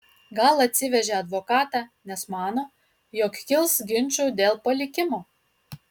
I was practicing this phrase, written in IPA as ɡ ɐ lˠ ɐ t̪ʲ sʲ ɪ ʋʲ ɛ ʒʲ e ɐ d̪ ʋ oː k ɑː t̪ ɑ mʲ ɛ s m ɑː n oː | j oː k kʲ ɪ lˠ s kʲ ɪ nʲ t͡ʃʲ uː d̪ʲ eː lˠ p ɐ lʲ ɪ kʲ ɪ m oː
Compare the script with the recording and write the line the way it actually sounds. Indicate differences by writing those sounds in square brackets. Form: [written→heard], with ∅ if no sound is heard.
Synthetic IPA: ɡ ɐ lˠ ɐ t̪ʲ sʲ ɪ ʋʲ ɛ ʒʲ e ɐ d̪ ʋ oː k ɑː t̪ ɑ [mʲ→nʲ] ɛ s m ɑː n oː | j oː k kʲ ɪ lˠ s [kʲ→ɡʲ] ɪ nʲ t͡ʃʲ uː d̪ʲ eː lˠ p ɐ lʲ ɪ kʲ ɪ m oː